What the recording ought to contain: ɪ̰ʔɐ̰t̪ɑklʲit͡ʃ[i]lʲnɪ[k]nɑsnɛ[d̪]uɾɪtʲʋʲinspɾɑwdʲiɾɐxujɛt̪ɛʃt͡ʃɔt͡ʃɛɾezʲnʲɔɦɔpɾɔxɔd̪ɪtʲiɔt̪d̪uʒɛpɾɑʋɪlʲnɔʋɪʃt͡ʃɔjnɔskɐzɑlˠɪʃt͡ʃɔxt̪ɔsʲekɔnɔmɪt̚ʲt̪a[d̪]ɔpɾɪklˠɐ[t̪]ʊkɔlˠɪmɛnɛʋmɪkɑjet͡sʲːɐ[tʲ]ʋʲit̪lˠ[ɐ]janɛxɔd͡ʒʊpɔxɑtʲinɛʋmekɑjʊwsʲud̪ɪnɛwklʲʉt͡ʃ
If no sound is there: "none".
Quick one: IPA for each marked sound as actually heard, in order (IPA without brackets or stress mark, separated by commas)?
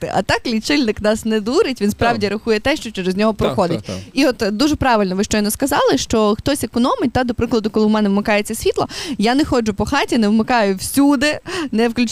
ɪ, k, d̪, d̪, d̪, sʲ, ɐ